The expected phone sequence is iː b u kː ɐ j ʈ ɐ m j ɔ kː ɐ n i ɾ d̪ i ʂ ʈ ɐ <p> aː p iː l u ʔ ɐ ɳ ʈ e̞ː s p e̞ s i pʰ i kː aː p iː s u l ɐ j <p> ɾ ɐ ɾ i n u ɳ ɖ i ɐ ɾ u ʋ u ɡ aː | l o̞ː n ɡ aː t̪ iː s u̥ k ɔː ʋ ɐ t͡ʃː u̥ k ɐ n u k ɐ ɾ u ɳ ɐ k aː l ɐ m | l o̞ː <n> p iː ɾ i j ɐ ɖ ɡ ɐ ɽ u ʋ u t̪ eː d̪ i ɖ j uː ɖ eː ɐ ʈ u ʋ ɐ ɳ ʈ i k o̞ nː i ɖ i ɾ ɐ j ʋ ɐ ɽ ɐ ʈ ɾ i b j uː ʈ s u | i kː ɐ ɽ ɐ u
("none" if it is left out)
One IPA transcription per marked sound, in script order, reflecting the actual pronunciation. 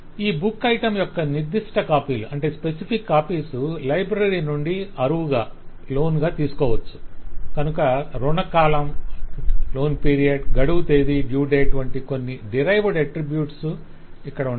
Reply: k, b, n

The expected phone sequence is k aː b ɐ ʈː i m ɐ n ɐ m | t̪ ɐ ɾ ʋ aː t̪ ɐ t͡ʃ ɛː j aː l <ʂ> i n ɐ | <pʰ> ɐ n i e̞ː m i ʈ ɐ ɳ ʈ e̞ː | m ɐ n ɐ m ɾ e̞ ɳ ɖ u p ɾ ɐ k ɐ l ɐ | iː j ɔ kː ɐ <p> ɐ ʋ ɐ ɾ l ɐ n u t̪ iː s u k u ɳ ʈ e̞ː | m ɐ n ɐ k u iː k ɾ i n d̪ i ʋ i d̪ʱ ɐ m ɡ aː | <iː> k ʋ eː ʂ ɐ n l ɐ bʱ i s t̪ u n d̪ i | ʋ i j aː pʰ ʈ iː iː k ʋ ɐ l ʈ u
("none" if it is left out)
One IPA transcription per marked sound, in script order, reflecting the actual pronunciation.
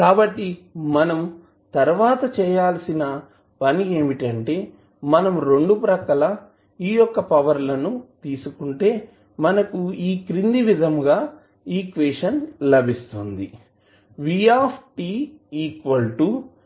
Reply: s, p, p, iː

